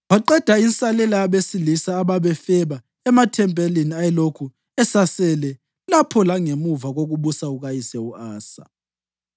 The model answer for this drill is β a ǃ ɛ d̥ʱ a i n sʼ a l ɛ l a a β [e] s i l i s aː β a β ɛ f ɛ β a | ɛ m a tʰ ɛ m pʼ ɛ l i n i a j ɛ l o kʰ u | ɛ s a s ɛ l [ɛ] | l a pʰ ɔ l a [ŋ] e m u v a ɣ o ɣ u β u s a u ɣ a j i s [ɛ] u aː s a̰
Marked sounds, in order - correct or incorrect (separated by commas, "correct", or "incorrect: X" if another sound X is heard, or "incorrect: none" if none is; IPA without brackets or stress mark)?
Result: correct, correct, correct, correct